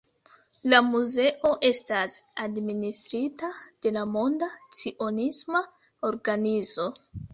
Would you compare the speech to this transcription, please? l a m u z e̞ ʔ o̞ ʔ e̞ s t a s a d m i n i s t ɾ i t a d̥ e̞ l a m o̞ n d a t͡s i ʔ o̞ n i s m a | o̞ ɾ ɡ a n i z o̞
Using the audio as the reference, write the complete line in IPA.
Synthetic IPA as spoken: l a m u z e̞ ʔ o̞ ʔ e̞ s t a s a d m i n i s t ɾ i t a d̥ e̞ l a m o̞ n d a t͡s i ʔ o̞ n i s m a | o̞ ɾ ɡ a n i z o̞